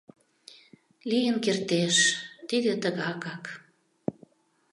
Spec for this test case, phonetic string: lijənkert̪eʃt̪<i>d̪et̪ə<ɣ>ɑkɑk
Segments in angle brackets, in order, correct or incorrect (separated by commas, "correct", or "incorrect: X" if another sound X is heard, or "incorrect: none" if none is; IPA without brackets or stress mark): correct, correct